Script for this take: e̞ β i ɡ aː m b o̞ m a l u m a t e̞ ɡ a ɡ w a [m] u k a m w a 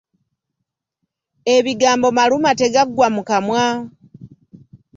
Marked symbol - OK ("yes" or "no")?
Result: yes